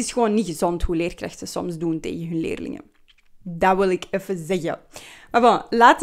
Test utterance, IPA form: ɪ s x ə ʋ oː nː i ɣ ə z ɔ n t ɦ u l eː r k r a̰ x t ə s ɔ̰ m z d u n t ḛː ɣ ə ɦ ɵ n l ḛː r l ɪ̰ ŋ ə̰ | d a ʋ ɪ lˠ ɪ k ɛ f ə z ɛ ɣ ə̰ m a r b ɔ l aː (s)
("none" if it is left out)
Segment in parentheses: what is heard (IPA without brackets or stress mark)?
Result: t